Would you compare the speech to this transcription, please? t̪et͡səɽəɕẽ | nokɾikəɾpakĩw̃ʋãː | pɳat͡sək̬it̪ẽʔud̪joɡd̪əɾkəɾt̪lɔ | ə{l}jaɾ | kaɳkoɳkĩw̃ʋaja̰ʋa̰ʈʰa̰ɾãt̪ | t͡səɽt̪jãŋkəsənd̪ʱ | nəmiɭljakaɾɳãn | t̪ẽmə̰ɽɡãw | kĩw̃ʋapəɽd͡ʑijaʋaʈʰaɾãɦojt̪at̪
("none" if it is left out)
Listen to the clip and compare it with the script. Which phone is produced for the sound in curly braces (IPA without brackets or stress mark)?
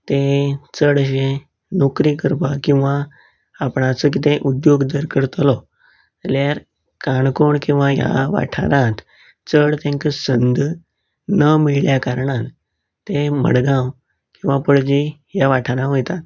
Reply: l